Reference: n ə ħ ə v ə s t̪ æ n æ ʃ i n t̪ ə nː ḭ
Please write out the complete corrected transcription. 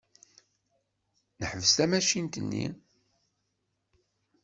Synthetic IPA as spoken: n ə ħ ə v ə s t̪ æ m æ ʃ i n t̪ ə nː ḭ